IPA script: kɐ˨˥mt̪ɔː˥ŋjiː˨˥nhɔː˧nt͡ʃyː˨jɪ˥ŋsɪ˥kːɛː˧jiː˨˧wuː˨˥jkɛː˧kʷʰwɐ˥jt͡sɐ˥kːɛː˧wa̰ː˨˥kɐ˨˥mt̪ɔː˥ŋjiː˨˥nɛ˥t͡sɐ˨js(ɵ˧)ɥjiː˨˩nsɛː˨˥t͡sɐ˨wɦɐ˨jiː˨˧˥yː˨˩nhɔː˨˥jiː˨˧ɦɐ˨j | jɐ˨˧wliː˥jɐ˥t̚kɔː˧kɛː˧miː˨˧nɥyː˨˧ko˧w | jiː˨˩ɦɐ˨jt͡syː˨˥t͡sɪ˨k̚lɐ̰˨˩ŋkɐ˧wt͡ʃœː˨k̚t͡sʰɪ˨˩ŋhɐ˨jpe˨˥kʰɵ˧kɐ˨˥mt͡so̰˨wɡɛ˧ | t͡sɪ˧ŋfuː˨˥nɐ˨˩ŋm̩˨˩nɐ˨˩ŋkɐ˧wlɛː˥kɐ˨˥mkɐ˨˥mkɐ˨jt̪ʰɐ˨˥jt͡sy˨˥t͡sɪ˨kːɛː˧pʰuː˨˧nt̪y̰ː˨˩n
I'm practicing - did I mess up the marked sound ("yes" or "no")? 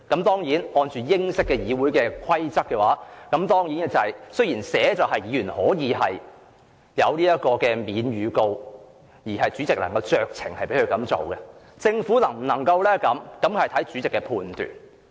yes